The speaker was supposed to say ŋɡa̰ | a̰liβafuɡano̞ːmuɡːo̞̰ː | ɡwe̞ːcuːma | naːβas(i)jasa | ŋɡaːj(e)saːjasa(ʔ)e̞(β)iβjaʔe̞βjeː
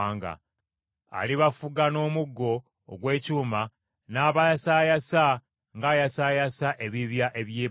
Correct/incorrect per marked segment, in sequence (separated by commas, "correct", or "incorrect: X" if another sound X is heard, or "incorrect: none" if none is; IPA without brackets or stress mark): incorrect: a, incorrect: a, correct, correct